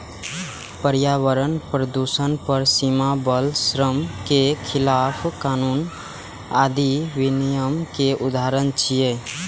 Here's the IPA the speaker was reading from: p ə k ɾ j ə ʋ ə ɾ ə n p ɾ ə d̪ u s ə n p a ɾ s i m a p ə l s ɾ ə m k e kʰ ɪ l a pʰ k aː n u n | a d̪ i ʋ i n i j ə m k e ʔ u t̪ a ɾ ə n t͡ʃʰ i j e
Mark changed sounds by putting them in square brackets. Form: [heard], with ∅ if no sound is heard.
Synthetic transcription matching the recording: p ə [∅] ɾ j [a] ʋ ə ɾ ə n p ɾ ə d̪ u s ə n p [ə] ɾ s i m a [b] ə l s ɾ ə m k e kʰ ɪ l a pʰ k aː n u n | a d̪ i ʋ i n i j ə m k e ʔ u [d̪] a ɾ ə n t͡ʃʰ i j e